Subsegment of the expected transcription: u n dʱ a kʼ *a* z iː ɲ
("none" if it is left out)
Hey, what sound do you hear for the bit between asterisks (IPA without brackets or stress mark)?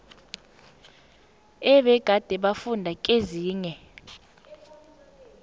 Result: e